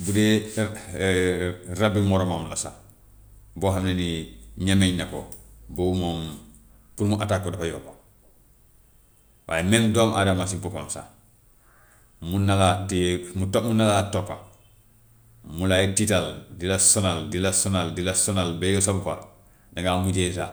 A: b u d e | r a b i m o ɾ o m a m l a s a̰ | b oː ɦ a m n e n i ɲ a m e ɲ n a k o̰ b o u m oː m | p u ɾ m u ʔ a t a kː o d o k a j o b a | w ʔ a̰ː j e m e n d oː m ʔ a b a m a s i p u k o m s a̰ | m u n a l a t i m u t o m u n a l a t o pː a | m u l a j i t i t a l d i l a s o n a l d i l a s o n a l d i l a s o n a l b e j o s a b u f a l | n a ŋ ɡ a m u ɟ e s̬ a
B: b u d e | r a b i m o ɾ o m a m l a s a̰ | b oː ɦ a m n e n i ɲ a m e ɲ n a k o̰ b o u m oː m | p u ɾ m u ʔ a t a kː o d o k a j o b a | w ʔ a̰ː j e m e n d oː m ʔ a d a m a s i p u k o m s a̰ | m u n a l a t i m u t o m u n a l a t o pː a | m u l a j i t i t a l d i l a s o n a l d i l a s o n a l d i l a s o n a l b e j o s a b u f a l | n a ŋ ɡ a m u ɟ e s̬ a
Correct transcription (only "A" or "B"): B